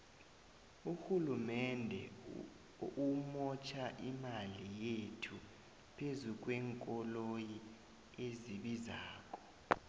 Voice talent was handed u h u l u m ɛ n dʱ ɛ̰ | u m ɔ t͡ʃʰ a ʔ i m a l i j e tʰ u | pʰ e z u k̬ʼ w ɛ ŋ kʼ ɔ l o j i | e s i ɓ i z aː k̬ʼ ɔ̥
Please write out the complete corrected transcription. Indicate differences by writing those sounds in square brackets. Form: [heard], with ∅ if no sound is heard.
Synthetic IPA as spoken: u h u l u m ɛ n dʱ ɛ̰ | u m ɔ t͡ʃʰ a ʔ i m a l i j e tʰ u | pʰ e z u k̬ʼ w ɛ ŋ kʼ ɔ l o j i | e [z] i ɓ i z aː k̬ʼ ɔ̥